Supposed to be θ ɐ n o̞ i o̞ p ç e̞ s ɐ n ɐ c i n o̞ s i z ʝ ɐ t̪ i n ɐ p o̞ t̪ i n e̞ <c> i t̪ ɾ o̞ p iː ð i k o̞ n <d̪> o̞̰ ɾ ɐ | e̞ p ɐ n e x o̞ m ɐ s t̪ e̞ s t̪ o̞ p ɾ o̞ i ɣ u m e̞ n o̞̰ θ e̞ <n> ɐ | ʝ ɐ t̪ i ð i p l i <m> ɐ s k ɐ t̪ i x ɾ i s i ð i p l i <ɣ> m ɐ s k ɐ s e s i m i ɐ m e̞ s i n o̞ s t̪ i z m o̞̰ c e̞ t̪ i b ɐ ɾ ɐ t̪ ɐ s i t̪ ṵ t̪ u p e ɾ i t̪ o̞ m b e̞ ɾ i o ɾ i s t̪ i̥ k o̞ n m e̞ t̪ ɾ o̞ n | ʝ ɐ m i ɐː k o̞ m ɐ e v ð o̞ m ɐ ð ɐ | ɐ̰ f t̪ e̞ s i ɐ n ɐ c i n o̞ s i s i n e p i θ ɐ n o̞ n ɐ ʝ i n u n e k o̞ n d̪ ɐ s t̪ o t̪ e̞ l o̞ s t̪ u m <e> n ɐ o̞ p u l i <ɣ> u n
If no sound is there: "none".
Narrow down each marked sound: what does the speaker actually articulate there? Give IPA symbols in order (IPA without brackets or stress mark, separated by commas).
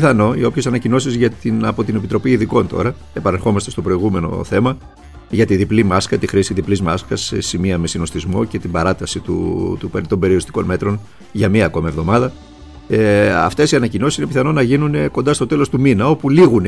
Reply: p, t̪, m, m, z, i, ɣ